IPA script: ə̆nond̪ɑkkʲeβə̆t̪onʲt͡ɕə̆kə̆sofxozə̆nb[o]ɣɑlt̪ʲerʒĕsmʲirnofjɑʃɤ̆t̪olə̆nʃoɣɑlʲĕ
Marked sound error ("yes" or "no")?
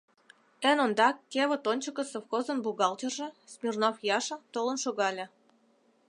yes